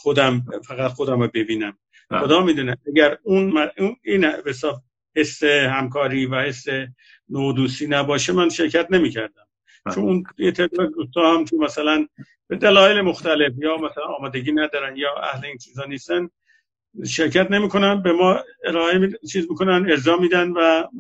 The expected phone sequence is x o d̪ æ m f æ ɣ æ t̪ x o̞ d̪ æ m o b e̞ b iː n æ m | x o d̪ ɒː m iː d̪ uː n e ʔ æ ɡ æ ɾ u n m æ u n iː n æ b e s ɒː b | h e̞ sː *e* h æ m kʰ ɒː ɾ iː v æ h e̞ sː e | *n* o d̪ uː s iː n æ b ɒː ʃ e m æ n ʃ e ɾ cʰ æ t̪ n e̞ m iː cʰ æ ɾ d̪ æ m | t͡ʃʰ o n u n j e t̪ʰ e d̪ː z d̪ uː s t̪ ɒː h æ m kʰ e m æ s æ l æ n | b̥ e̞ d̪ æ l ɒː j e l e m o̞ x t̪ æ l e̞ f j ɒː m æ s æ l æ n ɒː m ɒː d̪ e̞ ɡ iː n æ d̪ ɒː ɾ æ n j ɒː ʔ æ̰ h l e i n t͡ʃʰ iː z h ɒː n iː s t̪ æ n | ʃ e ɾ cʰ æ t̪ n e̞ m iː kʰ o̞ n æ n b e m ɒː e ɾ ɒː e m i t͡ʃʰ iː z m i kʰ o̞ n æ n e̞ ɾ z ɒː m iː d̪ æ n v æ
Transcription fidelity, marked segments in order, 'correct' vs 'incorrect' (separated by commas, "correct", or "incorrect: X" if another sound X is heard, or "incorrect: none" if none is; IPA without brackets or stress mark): correct, correct